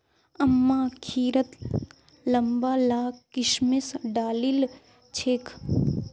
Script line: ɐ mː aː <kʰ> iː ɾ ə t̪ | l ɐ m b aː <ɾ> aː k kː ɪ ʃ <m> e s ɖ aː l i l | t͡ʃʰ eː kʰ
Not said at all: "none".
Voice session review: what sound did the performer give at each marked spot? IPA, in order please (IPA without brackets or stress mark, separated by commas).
kʰ, l, m